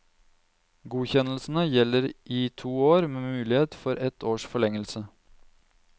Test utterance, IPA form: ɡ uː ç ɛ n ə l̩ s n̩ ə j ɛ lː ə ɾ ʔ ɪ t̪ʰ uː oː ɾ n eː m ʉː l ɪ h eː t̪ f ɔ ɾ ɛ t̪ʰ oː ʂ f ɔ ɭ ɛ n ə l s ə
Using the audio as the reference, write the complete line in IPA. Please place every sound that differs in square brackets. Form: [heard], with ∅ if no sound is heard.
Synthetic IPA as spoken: ɡ uː ç ɛ n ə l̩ s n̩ ə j ɛ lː ə ɾ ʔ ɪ t̪ʰ uː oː ɾ [m] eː m ʉː l ɪ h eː t̪ f ɔ ɾ ɛ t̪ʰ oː ʂ f ɔ ɭ ɛ [ŋ] ə l s ə